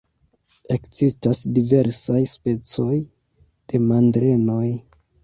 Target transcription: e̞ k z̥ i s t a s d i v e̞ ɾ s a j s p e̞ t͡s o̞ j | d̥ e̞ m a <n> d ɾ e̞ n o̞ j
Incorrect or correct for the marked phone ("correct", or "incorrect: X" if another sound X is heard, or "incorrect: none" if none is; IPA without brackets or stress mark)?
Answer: correct